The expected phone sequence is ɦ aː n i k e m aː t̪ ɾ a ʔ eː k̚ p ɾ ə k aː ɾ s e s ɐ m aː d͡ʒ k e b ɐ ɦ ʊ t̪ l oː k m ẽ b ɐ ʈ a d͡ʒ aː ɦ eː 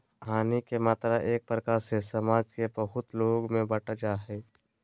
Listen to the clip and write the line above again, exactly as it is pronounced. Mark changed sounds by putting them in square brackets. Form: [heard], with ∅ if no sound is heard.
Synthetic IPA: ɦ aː n i k e m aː t̪ ɾ a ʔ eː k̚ p ɾ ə k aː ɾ s e s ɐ m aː d͡ʒ k e b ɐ ɦ ʊ t̪ l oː [ɡ] m ẽ b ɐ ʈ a d͡ʒ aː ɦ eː